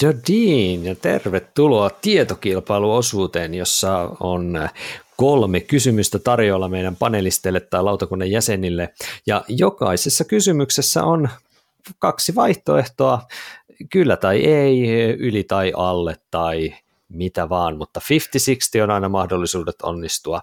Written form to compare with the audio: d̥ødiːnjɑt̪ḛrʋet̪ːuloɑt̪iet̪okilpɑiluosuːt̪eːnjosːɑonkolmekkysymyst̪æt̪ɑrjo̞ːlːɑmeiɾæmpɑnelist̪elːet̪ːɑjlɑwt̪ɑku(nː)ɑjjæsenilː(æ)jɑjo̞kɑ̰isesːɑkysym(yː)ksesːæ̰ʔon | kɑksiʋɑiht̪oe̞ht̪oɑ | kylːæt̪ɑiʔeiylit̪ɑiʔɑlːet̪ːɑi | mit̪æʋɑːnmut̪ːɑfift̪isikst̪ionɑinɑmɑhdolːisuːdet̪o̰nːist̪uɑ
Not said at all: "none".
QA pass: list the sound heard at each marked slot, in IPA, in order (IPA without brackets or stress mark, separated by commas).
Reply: nː, e, y